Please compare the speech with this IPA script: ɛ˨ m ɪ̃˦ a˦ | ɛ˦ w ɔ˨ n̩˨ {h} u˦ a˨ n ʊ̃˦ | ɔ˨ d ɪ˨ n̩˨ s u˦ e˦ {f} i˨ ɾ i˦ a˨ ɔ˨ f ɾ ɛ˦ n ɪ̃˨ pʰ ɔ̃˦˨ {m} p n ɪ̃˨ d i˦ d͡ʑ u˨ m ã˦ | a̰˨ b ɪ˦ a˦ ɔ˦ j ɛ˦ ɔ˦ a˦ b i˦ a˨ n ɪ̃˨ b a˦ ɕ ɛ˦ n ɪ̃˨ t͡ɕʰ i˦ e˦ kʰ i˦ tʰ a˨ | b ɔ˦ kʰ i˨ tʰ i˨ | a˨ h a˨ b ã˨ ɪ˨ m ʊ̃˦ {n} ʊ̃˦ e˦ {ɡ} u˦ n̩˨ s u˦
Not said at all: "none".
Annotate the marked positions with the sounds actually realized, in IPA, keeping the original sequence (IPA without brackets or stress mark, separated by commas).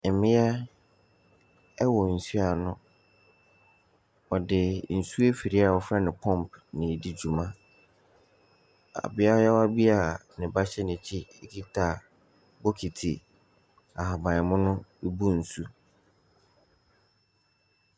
s, f, m, n, b